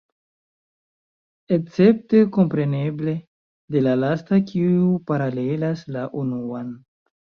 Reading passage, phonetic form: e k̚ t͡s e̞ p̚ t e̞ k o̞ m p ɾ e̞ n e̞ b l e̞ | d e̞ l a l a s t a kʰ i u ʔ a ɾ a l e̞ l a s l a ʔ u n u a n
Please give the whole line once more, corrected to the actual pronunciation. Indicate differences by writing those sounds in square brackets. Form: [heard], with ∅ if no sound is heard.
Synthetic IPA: e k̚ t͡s e̞ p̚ t e̞ k o̞ m p ɾ e̞ n e̞ b l e̞ | d e̞ l a l a s t a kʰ i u [p] a ɾ a l e̞ l a s l a ʔ u n u a n